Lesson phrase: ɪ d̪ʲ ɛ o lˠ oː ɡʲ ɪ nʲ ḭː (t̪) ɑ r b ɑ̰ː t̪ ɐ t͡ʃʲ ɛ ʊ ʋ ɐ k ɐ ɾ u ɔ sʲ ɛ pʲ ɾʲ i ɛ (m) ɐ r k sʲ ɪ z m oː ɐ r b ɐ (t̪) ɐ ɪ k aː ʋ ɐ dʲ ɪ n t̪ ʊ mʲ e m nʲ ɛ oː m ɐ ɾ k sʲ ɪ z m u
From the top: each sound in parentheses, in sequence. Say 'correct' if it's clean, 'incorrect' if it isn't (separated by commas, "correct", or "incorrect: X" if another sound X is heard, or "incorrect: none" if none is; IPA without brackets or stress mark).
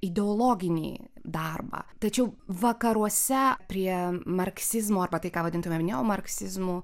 incorrect: d̪, correct, correct